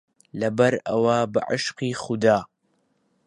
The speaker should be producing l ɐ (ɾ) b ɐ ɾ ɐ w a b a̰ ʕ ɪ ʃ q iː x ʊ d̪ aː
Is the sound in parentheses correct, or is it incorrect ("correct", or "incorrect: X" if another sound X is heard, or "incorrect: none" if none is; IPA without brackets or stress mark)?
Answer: incorrect: none